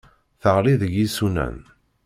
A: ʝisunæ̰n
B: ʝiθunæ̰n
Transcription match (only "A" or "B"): A